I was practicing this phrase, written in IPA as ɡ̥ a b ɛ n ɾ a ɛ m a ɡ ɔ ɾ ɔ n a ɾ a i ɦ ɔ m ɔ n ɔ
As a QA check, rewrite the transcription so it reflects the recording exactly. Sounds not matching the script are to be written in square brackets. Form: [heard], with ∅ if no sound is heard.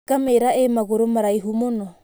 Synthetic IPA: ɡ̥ a [m] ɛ [∅] ɾ a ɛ m a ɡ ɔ ɾ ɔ [m] a ɾ a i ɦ [u] m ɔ n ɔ